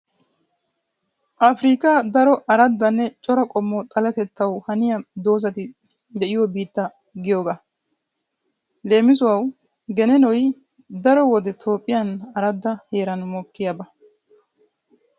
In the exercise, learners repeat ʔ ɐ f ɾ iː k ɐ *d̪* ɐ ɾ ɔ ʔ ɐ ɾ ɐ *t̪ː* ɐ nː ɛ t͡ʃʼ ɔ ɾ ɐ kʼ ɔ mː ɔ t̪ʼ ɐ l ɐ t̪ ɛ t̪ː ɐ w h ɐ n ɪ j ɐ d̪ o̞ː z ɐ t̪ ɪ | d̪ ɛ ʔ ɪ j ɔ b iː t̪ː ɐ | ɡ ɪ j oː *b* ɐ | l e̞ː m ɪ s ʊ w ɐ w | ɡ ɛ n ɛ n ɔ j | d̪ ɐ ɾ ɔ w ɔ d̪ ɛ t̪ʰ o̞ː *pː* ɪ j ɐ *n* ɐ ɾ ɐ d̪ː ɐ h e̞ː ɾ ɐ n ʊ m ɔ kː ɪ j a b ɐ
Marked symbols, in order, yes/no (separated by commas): yes, no, no, no, yes